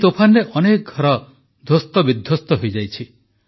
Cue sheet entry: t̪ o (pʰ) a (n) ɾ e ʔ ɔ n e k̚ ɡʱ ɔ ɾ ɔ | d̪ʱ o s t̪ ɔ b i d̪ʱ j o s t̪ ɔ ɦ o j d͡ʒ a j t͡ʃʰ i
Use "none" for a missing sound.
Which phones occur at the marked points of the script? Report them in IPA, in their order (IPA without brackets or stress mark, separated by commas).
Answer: pʰ, n